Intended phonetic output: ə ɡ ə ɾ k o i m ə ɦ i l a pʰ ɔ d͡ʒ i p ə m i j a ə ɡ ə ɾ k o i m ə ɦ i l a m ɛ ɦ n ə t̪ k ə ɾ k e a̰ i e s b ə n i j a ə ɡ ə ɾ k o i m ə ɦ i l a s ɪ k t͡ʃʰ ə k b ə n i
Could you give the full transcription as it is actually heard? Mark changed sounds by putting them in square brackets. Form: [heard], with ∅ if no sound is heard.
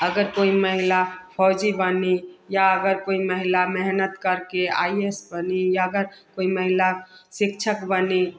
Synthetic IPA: ə ɡ ə ɾ k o i m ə ɦ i l a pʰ ɔ d͡ʒ i [b] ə [n] i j a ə ɡ ə ɾ k o i m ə ɦ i l a m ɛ ɦ n ə t̪ k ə ɾ k e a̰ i e s b ə n i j a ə ɡ ə ɾ k o i m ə ɦ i l a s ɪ k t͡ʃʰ ə k b ə n i